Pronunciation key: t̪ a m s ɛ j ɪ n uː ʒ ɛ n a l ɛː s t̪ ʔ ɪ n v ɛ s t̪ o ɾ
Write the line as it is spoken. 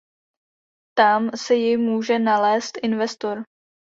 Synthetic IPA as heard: t̪ a m s ɛ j ɪ m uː ʒ ɛ n a l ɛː s t̪ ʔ ɪ n v ɛ s t̪ o ɾ